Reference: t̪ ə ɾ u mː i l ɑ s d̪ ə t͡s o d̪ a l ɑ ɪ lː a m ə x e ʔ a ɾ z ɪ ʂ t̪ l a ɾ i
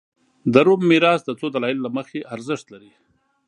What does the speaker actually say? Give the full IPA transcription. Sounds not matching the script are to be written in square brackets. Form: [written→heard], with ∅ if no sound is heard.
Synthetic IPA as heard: [t̪→d̪] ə ɾ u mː i [l→ɾ] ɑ s d̪ ə t͡s o d̪ a l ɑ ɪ lː a m ə x e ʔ a ɾ z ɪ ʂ t̪ l a ɾ i